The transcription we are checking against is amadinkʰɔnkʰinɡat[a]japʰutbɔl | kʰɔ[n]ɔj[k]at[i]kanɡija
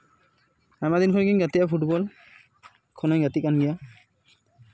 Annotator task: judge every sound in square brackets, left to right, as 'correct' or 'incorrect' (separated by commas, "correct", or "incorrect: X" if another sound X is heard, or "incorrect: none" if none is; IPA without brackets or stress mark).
incorrect: i, correct, incorrect: ɡ, correct